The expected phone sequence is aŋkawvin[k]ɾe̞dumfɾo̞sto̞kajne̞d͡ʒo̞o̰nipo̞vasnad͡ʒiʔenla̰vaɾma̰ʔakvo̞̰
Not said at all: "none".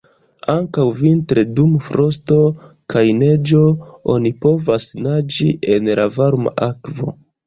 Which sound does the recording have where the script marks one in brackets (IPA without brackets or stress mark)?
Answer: t